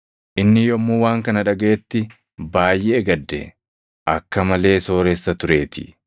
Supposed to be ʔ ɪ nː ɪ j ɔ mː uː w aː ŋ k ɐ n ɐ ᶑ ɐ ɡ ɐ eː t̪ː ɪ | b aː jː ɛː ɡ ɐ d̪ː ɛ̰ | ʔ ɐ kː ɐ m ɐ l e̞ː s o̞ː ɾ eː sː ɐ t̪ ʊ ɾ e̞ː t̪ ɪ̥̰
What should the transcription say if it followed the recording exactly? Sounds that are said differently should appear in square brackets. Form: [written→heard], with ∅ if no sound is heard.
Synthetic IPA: ʔ ɪ nː ɪ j ɔ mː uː w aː ŋ k ɐ n ɐ ᶑ ɐ ɡ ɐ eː t̪ː ɪ | b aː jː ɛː ɡ ɐ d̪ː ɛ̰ | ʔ ɐ kː ɐ m ɐ l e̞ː s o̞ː ɾ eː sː ɐ t̪ ʊ ɾ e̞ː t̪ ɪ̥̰